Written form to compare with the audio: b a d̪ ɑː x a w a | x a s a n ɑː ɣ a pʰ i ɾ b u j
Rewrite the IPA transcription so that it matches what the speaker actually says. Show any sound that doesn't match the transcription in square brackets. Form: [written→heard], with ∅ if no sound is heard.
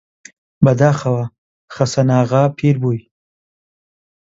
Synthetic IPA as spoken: b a d̪ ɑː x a w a | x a s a n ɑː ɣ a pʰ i ɾ b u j